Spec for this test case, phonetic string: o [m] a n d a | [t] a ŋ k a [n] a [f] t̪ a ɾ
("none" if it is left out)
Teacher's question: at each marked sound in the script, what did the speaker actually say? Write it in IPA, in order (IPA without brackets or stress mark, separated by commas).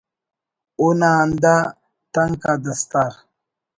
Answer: n, t, d, s